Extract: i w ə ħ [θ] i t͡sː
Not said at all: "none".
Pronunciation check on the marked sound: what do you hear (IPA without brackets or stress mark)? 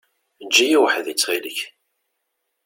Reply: ð